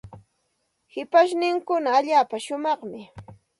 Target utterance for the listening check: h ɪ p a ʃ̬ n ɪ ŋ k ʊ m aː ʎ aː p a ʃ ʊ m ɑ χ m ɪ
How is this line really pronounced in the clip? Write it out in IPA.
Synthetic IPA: h ɪ p a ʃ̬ n ɪ ŋ k ʊ n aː ʎ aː p a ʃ ʊ m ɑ χ m ɪ

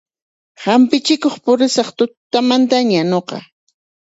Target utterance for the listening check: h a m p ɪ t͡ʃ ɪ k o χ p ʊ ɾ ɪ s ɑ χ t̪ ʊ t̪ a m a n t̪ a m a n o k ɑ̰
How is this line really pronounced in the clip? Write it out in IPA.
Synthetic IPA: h a m p ɪ t͡ʃ ɪ k o χ p ʊ ɾ ɪ s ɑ χ t̪ ʊ t̪ a m a n t̪ a ɲ a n o q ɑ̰

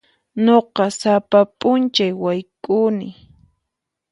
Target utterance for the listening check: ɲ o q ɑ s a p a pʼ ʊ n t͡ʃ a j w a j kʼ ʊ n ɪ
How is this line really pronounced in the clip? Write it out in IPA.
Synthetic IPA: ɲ o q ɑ s a p a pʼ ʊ n t͡ʃ a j w a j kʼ ʊ n ɪ

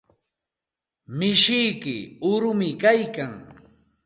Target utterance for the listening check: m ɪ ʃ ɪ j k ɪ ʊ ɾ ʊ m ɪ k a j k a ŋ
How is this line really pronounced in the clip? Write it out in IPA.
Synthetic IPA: m ɪ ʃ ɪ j k ɪ ʊ ɾ ʊ m ɪ k a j k a ŋ

